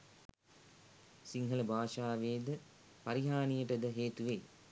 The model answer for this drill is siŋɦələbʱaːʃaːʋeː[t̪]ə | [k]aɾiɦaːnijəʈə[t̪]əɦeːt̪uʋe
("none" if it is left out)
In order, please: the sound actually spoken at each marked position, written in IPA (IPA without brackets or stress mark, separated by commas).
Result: d̪, p, d̪